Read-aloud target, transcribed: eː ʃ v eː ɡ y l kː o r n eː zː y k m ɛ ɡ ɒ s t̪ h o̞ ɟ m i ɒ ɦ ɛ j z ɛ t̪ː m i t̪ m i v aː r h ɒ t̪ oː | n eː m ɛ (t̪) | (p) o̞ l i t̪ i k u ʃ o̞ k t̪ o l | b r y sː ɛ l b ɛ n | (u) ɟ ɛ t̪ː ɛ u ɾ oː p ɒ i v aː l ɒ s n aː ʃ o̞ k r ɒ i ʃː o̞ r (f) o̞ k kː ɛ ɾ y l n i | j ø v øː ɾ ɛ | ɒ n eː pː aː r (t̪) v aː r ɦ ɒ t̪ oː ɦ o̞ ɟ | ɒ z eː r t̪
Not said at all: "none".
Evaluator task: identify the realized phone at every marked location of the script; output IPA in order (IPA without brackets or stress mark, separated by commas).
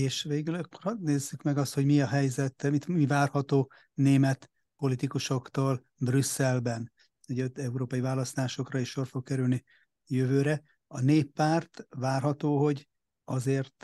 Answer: t̪, p, u, f, t̪